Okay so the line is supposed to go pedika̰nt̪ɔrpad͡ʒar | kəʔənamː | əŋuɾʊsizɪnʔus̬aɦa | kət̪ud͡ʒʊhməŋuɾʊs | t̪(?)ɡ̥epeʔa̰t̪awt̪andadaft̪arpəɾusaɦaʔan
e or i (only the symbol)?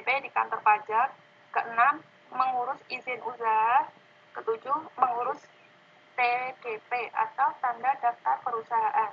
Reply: e